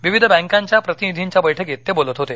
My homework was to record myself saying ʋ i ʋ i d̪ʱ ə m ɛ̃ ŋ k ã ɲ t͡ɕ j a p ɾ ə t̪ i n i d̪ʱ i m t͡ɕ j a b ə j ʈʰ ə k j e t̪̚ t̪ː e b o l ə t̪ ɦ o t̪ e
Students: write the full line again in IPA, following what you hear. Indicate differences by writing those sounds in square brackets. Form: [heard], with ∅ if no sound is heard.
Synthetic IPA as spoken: ʋ i ʋ i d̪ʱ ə [b] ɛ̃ ŋ k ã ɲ t͡ɕ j a p ɾ ə t̪ i n i d̪ʱ i [ɲ] t͡ɕ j a b ə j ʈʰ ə k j e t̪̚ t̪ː e b o l ə t̪ ɦ o t̪ e